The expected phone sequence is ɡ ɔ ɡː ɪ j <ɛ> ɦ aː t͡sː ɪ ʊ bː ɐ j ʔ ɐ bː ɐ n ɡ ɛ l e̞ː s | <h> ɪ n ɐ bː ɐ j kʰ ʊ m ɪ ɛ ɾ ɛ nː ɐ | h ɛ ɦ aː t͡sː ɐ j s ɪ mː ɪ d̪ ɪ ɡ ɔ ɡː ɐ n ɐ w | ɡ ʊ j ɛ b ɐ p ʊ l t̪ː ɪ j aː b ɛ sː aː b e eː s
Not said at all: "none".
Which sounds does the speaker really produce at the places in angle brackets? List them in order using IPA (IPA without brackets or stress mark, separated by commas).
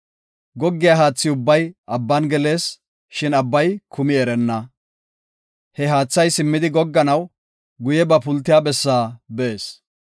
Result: a, ʃ